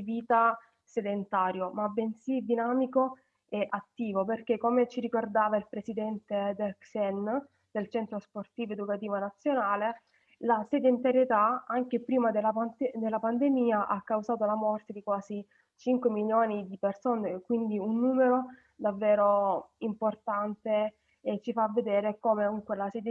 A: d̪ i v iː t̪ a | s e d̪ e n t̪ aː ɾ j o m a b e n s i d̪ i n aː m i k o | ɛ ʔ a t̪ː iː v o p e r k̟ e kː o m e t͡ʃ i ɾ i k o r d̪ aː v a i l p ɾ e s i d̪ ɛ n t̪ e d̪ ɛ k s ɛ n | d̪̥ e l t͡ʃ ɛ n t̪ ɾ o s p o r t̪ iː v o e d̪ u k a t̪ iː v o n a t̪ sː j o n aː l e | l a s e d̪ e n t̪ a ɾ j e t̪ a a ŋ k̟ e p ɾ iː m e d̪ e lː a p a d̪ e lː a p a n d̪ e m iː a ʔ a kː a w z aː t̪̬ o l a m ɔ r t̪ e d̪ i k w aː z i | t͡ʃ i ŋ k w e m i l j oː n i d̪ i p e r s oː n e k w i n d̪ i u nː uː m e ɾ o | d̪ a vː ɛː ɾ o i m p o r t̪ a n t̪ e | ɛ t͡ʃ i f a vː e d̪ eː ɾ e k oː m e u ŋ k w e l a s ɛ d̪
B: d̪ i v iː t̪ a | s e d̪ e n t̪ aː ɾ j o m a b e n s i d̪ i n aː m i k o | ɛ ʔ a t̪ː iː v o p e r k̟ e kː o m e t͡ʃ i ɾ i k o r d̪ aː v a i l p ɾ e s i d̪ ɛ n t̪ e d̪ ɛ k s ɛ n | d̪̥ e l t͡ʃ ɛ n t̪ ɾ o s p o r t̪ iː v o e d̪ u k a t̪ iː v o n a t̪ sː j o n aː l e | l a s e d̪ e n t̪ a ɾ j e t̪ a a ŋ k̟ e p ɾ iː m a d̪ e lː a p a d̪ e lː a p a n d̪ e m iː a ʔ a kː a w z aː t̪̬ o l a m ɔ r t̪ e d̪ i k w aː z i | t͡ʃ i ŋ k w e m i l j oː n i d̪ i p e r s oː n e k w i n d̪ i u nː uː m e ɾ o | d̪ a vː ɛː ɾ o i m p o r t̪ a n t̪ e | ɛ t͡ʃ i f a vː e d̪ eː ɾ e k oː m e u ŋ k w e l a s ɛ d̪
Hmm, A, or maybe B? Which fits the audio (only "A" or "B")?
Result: B